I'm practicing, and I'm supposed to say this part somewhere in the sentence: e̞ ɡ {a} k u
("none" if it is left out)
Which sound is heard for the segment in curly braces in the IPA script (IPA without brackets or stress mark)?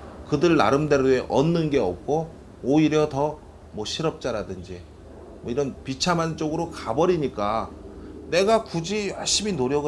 a